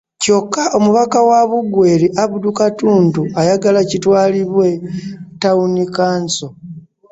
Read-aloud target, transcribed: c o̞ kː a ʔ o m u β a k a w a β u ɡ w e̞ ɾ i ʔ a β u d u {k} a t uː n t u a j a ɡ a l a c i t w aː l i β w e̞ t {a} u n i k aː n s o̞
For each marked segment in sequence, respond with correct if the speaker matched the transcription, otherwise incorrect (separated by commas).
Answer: correct, correct